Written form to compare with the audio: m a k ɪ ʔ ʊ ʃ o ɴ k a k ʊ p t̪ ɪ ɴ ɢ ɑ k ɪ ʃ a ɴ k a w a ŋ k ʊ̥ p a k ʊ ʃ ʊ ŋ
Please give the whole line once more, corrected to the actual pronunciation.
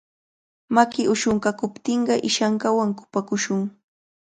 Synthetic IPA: m a k ɪ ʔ ʊ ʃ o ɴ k a k ʊ p t̪ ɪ ɴ ɢ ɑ ʔ ɪ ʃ a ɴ k a w a ŋ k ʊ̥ p a k ʊ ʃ ʊ ŋ